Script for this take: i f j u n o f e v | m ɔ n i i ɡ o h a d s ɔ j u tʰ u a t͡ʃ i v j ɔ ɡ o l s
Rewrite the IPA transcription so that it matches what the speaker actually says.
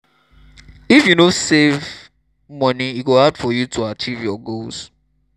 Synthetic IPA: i f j u n o s e v | m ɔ n i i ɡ o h a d f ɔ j u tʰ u a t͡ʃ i v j ɔ ɡ o l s